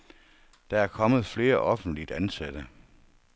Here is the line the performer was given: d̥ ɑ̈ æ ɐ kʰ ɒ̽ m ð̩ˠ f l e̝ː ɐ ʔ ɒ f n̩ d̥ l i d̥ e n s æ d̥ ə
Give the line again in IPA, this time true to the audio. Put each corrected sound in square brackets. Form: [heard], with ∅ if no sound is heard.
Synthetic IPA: d̥ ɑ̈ æ ɐ kʰ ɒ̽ m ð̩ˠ f l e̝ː ɐ ʔ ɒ f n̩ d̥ l i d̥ [æ] n s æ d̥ ə

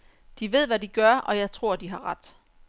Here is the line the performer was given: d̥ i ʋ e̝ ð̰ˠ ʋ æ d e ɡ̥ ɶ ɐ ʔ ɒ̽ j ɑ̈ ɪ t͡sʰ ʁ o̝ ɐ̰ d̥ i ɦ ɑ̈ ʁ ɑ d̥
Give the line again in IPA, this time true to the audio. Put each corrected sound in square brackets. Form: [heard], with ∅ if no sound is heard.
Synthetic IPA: d̥ i ʋ e̝ ð̰ˠ ʋ æ d [i] ɡ̥ ɶ ɐ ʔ ɒ̽ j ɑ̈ ɪ t͡sʰ ʁ o̝ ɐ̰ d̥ i ɦ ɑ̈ ʁ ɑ d̥

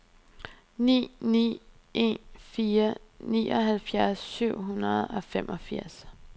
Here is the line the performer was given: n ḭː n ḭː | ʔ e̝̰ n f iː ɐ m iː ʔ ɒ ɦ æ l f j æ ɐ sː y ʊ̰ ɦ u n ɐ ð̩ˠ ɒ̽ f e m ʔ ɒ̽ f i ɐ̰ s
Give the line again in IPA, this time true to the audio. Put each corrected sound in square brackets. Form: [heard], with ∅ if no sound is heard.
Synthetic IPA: n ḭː n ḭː | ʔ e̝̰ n f iː ɐ [n] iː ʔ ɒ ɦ æ l f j æ ɐ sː y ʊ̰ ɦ u n ɐ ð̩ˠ ɒ̽ f e m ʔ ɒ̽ f i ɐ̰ s

